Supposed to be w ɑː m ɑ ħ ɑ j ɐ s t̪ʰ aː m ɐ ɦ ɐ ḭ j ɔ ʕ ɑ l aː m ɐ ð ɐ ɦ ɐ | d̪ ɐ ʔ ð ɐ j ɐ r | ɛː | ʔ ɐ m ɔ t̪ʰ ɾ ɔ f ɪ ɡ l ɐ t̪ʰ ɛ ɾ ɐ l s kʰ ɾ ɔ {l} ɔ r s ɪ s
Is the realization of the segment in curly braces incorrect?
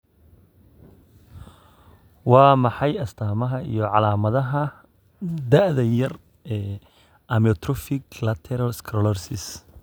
no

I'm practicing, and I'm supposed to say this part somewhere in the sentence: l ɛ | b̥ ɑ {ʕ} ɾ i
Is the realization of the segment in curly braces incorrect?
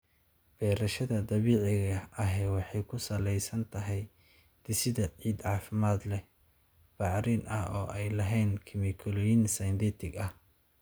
no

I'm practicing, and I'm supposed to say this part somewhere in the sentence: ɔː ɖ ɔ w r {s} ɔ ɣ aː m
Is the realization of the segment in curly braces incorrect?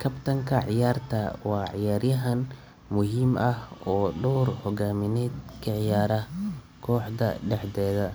yes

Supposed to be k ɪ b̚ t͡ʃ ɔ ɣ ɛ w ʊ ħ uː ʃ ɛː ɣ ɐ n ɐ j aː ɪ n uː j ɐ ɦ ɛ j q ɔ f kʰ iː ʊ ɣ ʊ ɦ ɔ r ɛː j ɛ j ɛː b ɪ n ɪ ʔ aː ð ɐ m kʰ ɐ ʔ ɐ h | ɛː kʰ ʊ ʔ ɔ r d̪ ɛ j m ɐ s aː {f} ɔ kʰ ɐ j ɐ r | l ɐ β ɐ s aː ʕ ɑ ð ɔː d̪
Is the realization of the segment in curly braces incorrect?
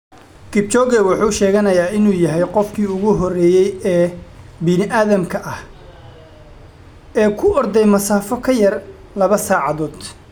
no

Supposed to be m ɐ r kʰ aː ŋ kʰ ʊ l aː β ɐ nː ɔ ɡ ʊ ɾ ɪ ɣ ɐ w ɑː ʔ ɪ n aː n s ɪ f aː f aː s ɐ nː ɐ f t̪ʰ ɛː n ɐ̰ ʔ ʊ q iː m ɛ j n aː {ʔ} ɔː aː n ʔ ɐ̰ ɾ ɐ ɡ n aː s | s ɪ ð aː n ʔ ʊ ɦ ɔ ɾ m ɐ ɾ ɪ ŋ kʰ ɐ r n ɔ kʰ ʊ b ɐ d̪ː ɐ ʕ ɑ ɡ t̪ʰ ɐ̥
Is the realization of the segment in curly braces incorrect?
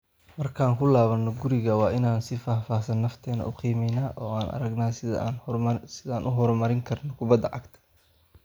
no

